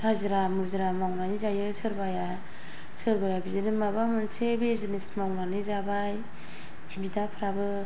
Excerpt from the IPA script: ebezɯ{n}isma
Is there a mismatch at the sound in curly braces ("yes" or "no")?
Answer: no